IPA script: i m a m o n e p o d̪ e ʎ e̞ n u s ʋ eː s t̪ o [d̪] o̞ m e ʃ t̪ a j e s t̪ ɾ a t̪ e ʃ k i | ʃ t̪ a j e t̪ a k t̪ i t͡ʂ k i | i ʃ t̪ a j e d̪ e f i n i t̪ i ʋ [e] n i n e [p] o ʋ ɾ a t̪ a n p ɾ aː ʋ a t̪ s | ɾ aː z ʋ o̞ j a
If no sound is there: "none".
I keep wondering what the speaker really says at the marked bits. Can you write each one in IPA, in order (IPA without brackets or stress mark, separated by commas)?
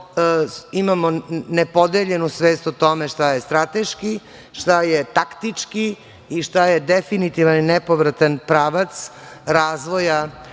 t̪, a, p